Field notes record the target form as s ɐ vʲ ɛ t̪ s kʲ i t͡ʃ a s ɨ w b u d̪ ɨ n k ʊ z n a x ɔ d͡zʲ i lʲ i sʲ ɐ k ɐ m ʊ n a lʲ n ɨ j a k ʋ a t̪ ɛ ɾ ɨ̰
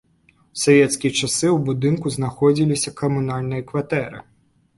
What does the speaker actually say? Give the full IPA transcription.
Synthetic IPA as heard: s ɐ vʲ ɛ t̪ s kʲ i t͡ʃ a s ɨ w b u d̪ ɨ n k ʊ z n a x ɔ d͡zʲ i lʲ i sʲ ɐ k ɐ m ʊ n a lʲ n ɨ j ɐ k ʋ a t̪ ɛ ɾ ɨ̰